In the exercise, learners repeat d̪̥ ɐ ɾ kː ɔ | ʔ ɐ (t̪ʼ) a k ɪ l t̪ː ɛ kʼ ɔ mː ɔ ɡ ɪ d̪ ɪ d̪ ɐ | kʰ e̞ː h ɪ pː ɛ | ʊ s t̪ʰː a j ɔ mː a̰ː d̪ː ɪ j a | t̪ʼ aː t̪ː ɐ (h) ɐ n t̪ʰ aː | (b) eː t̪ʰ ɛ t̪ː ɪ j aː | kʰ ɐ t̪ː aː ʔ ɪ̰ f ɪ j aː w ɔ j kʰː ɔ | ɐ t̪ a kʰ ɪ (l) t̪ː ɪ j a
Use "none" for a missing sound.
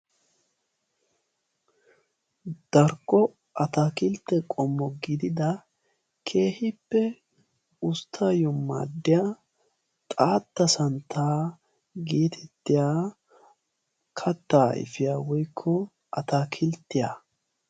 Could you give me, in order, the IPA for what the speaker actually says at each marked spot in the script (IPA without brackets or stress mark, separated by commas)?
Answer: t̪, s, ɡ, l